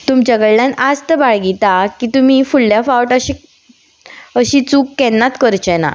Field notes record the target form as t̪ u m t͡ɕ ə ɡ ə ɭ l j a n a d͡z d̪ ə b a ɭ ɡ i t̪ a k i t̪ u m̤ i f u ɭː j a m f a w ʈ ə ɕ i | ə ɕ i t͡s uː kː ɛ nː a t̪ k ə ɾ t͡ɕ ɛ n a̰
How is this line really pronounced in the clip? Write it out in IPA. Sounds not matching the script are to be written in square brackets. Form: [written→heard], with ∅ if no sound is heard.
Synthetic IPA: t̪ u m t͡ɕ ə ɡ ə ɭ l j a n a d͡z [d̪→t̪] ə b a ɭ ɡ i t̪ a k i t̪ u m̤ i f u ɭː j a [m→∅] f a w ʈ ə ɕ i | ə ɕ i t͡s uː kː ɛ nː a t̪ k ə ɾ t͡ɕ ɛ n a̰